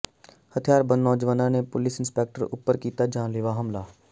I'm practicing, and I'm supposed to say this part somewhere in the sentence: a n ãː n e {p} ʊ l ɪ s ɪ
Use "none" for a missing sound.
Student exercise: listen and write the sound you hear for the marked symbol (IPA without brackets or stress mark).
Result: p